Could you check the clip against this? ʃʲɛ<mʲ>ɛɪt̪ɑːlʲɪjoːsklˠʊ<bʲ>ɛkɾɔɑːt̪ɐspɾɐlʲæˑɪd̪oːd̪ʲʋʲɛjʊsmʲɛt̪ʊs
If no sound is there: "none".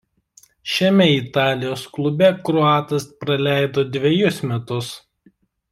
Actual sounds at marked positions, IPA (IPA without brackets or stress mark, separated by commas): mʲ, bʲ